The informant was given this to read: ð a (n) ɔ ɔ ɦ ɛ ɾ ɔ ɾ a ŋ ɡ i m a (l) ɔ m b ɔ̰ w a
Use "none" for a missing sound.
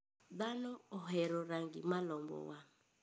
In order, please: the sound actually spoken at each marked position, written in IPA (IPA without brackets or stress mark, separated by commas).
n, l